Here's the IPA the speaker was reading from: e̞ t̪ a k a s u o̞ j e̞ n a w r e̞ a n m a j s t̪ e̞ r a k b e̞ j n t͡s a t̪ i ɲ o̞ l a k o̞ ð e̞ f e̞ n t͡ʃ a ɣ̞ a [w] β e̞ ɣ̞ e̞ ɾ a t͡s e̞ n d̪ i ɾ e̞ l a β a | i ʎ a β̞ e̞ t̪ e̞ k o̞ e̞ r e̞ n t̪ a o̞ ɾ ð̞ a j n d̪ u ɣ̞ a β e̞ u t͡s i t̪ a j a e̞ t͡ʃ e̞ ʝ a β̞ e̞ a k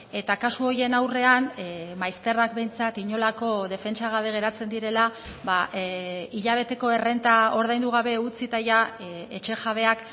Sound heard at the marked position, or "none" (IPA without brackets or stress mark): none